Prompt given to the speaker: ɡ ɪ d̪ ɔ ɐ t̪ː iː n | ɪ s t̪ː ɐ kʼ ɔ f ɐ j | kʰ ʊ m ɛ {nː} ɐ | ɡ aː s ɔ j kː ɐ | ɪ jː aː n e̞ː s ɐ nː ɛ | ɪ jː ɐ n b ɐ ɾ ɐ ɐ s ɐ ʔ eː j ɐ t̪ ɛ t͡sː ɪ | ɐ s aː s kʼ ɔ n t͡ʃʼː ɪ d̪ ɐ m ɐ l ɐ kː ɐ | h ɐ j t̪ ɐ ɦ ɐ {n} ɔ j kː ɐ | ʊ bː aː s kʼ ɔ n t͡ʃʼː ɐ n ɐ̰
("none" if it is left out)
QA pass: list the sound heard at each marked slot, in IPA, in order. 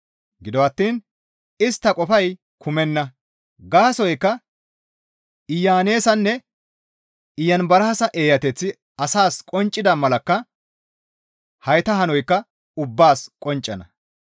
nː, n

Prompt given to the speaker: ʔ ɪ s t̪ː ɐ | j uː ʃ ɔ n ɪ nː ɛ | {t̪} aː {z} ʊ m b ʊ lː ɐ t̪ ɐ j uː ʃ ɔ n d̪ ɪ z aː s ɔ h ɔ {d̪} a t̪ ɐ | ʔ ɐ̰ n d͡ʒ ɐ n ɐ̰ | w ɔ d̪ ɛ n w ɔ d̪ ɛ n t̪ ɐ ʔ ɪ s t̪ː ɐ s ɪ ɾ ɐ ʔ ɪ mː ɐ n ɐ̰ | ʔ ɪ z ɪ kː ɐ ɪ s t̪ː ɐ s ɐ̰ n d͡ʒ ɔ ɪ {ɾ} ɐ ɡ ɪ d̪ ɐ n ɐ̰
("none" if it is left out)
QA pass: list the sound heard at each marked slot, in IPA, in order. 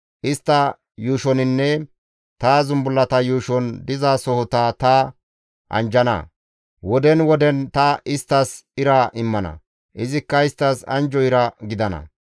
t̪, z, t̪, ɾ

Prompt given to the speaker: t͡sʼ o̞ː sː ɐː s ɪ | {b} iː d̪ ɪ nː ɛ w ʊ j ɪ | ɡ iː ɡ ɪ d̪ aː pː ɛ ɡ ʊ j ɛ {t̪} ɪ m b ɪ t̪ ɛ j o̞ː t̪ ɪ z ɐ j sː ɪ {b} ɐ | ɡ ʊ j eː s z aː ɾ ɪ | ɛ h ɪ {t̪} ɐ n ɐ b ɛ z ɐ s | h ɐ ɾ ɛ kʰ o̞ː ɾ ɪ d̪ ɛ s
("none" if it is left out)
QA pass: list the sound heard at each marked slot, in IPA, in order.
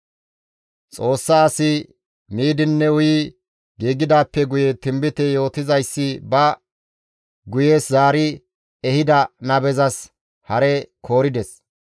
m, t̪, b, d̪

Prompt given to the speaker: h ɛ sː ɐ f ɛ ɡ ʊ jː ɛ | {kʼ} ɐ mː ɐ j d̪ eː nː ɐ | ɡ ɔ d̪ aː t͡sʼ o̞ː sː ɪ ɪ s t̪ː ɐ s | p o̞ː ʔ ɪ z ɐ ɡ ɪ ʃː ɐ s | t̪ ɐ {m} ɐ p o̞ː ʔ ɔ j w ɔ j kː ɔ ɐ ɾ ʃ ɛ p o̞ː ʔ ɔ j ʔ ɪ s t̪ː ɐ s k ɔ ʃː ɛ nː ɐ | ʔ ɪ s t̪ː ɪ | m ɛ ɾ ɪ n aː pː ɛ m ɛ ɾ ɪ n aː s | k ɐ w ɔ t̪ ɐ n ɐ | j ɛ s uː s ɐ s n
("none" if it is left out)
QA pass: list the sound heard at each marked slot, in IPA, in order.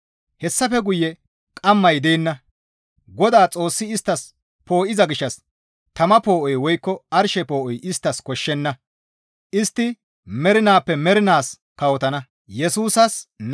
kʼ, m

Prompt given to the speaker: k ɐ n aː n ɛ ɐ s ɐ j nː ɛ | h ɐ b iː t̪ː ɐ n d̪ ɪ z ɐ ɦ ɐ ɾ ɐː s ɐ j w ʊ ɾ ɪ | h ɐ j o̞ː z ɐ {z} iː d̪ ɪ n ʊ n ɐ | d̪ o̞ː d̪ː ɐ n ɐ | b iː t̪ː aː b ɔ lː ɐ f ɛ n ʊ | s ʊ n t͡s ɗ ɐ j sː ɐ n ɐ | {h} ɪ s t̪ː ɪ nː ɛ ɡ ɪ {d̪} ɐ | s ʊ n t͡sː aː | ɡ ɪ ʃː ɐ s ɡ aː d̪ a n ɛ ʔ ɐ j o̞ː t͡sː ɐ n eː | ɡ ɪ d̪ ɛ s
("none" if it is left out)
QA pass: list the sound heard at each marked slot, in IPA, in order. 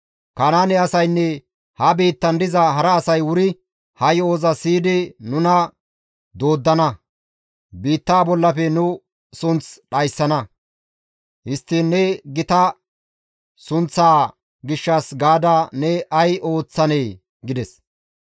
s, h, t̪

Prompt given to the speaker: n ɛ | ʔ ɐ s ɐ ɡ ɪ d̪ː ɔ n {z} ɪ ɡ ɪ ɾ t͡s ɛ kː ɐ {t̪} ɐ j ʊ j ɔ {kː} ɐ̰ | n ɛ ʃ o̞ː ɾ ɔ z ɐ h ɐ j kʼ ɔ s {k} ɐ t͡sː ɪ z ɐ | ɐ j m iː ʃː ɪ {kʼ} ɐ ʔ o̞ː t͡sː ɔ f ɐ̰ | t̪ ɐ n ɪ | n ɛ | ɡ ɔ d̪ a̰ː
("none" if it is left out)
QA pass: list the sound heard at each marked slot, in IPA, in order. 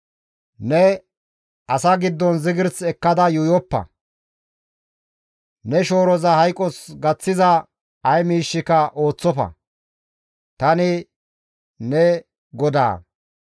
z, d̪, pː, ɡ, k

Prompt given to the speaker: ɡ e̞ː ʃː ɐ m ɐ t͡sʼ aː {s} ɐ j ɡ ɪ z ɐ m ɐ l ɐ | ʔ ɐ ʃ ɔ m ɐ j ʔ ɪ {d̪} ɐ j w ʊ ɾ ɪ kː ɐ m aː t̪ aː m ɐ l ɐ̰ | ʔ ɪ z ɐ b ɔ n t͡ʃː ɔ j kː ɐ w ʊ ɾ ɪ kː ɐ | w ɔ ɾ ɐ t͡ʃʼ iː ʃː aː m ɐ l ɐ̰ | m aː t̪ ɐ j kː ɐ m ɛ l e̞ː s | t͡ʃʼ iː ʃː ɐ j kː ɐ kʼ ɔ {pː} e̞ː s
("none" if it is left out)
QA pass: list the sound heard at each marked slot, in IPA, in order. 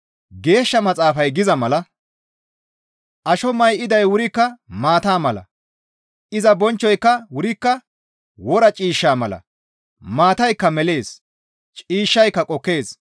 f, d̪, kː

